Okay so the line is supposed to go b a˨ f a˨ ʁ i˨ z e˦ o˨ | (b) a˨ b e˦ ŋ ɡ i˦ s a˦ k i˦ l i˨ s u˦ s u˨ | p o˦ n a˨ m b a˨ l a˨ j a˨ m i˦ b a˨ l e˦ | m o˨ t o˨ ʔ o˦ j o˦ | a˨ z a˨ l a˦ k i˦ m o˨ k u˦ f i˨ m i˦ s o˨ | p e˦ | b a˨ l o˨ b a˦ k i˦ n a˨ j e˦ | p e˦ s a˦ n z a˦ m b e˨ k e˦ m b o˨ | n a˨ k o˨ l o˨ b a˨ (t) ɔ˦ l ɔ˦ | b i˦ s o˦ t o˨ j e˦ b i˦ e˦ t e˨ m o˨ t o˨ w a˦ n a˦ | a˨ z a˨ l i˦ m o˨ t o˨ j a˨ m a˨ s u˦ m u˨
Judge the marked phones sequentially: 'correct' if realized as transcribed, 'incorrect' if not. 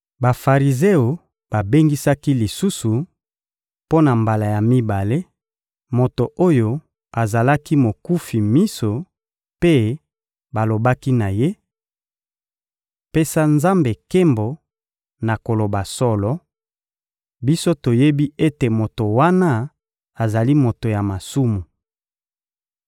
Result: correct, incorrect: s

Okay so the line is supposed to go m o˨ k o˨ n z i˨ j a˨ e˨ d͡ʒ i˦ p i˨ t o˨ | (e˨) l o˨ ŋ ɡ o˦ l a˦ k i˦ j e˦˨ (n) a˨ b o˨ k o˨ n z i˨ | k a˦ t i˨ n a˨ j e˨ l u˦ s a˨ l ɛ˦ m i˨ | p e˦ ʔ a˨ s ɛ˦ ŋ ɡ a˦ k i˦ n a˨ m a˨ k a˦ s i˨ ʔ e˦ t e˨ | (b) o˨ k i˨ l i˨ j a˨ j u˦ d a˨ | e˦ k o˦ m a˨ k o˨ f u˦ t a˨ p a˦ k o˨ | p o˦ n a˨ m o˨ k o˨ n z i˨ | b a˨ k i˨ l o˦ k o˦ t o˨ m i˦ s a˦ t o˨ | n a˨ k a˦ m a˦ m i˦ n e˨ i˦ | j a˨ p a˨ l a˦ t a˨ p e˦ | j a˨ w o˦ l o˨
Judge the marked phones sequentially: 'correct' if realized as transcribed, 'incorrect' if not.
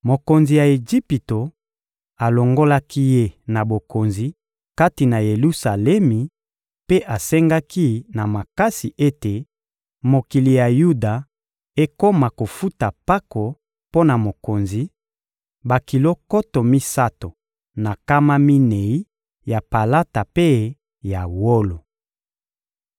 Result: incorrect: a˨, correct, incorrect: m

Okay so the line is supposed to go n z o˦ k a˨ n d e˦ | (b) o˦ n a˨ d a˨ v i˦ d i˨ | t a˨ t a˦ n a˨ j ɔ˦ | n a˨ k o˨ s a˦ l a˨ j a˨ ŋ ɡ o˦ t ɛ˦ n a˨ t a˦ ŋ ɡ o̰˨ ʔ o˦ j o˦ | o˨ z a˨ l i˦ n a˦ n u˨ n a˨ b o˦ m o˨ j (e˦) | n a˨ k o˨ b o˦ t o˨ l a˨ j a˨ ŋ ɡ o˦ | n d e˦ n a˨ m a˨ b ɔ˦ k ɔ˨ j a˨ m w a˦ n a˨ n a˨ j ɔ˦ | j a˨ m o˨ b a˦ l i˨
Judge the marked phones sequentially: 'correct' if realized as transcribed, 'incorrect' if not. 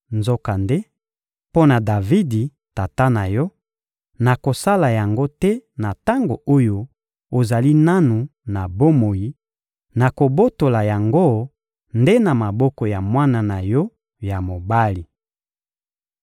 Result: incorrect: p, incorrect: i˦

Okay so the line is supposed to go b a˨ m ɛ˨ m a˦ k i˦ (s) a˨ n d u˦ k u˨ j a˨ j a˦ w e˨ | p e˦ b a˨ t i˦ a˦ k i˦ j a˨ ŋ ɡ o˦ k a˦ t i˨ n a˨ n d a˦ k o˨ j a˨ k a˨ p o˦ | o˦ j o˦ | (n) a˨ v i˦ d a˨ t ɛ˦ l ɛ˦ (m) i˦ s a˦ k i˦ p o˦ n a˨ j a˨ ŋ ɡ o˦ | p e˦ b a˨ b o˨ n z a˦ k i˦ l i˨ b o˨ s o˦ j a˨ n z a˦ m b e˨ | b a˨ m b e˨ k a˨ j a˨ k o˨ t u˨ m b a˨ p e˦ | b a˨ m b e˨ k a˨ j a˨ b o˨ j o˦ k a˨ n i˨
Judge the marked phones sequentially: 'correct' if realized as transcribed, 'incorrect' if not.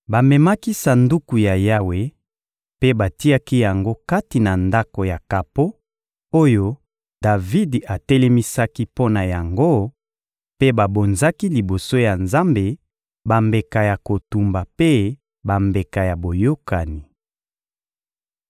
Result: correct, incorrect: d, correct

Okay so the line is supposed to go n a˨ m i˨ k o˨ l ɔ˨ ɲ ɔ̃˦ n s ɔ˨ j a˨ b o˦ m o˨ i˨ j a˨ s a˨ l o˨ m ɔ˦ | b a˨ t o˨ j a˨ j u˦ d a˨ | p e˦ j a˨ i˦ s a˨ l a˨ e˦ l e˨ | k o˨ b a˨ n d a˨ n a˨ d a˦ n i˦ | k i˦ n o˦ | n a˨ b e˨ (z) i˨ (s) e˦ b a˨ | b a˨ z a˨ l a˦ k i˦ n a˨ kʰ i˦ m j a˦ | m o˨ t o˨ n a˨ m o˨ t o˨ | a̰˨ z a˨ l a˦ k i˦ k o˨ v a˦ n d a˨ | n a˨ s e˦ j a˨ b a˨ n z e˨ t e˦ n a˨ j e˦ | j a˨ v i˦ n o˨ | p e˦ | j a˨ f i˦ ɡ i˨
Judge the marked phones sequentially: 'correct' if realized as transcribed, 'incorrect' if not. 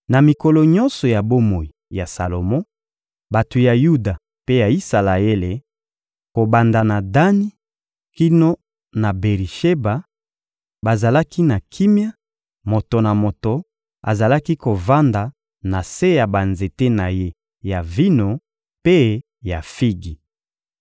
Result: incorrect: ʁ, incorrect: ʃ

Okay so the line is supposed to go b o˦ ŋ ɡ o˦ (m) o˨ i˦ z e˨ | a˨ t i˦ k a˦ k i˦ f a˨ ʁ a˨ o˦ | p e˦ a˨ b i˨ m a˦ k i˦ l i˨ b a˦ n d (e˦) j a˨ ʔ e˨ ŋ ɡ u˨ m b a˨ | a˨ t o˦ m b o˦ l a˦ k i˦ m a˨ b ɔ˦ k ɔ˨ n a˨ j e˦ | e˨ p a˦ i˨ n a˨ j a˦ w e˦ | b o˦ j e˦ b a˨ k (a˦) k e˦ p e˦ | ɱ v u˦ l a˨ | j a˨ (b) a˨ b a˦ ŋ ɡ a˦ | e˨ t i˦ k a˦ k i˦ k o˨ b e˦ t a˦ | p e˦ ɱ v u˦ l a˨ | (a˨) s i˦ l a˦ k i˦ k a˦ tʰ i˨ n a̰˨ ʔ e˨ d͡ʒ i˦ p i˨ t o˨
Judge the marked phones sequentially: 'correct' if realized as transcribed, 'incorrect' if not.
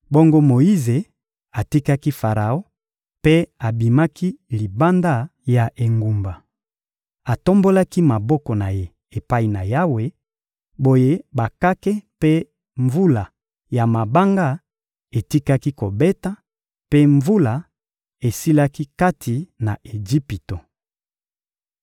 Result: correct, incorrect: a˦, correct, incorrect: m, incorrect: e˨

